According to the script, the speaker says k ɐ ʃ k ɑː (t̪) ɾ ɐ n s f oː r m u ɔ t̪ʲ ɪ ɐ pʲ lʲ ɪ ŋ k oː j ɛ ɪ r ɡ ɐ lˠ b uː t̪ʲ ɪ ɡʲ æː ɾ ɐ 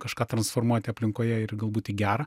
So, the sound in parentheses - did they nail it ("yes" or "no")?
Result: yes